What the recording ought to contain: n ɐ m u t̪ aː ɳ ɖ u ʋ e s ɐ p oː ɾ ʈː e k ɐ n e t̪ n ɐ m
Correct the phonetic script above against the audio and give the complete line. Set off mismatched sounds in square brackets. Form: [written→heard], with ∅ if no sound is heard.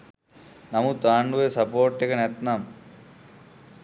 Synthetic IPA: n ɐ m u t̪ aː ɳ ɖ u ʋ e s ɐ p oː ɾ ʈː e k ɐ n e t̪ n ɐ m